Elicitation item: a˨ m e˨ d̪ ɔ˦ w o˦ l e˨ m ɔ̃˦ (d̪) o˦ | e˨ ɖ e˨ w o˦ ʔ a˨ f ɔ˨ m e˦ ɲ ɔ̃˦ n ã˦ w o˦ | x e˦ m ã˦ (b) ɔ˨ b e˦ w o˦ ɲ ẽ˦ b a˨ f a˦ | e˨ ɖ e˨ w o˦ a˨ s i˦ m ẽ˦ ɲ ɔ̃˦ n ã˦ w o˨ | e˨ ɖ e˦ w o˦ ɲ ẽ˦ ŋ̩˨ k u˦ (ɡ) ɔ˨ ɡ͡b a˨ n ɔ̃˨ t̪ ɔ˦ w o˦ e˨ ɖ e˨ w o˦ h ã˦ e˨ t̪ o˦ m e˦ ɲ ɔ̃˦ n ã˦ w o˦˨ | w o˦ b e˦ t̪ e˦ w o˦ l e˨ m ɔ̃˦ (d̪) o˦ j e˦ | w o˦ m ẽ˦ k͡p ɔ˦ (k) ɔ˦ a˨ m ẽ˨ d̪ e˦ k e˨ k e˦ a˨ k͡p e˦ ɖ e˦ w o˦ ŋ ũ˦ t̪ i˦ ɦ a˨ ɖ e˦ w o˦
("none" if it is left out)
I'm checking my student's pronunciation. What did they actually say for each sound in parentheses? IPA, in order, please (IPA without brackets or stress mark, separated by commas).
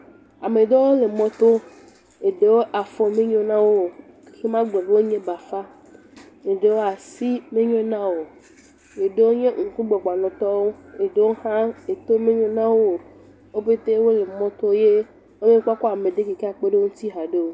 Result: t̪, ɡ͡b, ɡ͡b, t̪, k